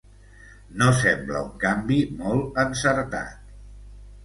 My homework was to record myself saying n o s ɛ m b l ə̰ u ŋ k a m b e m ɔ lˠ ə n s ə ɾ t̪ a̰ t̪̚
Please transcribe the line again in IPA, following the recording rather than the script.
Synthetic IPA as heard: n o s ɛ m b l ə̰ u ŋ k a m b i m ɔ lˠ ə n s ə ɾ t̪ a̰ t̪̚